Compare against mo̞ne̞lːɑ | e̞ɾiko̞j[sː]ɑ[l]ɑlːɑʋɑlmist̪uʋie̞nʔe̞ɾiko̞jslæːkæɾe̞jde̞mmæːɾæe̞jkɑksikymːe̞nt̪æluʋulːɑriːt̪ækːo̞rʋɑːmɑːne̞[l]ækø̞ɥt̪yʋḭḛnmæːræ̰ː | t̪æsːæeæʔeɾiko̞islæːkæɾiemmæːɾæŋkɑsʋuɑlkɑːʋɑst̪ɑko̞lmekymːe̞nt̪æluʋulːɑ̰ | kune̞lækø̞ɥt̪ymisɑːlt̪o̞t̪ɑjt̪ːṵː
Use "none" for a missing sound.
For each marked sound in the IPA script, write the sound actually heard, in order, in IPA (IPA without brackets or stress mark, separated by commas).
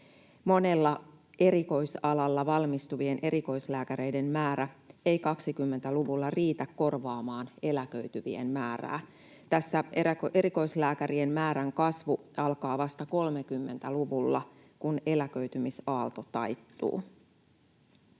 s, l, l